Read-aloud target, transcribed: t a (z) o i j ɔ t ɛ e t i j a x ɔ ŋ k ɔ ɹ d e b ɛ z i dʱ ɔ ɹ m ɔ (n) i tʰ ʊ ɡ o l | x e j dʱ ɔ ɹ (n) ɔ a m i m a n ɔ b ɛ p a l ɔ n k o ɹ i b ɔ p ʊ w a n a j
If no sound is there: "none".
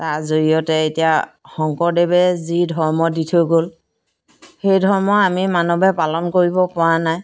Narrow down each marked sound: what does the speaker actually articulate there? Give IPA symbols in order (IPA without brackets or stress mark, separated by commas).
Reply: z, d, m